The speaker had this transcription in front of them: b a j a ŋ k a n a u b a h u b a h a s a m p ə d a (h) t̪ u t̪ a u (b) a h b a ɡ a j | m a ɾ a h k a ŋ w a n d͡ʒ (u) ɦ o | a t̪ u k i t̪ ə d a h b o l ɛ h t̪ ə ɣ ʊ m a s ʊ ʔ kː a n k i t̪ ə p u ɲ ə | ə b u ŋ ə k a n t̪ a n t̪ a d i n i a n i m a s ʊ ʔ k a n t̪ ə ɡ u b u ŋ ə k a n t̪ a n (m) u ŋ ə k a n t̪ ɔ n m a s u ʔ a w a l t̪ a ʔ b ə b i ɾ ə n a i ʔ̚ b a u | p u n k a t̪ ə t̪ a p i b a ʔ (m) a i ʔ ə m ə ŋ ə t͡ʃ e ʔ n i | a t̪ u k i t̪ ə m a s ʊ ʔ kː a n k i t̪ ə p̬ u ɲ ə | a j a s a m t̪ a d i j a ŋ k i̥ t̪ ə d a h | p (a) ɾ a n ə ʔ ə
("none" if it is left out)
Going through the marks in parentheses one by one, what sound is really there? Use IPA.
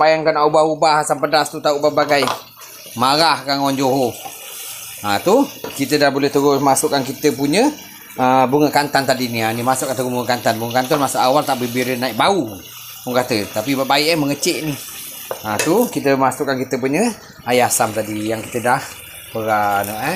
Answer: s, b, o, b, b, ə

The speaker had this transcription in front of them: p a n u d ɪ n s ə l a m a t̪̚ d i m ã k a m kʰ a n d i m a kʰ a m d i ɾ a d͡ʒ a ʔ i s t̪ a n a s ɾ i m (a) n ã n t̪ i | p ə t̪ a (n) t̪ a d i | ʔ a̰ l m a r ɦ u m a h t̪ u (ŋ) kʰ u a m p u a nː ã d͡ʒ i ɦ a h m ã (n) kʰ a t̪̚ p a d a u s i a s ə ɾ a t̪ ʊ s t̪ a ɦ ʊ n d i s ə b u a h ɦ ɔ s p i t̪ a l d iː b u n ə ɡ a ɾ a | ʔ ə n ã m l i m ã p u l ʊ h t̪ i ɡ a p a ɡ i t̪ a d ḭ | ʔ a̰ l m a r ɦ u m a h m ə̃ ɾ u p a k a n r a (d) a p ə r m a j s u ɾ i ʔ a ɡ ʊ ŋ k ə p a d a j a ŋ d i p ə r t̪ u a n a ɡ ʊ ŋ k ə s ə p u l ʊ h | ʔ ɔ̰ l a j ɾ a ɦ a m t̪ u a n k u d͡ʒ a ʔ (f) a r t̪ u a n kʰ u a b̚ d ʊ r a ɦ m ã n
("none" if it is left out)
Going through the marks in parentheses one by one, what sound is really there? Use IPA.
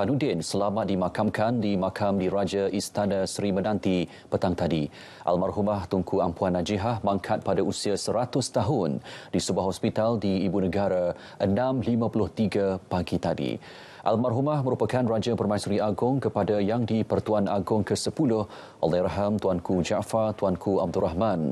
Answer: ə, ŋ, ŋ, ŋ, d͡ʒ, f

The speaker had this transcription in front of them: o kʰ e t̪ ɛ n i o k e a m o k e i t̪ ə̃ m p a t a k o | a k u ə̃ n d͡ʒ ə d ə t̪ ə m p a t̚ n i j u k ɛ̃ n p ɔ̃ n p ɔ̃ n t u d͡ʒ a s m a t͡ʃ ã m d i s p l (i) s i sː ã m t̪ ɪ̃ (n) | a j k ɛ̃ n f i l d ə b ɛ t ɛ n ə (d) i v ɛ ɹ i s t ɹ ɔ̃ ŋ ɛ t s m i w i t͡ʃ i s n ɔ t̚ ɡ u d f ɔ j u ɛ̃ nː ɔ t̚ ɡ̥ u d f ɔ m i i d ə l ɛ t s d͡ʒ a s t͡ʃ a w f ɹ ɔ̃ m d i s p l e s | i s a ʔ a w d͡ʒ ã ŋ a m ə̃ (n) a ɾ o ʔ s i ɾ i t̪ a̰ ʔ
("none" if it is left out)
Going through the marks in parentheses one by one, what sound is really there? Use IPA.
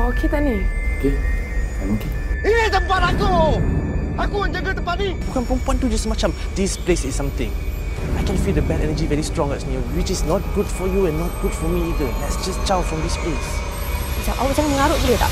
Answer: e, ŋ, d͡ʒ, ŋ

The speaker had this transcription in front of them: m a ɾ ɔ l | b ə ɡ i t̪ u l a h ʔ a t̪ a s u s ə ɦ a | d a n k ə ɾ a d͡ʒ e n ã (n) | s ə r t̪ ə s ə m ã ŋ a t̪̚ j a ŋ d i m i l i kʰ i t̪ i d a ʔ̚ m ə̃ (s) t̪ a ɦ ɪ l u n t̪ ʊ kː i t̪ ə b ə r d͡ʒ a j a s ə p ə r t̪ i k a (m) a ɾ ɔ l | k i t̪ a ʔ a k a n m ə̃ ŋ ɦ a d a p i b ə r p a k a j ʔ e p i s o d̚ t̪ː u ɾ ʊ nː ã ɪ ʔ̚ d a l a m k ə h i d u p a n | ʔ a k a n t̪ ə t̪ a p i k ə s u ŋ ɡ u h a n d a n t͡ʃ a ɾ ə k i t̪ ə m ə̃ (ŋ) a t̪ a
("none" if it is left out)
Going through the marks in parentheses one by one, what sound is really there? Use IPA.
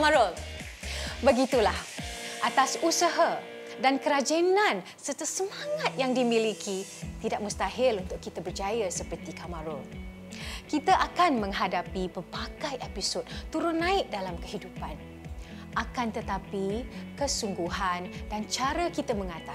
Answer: n, s, m, ŋ

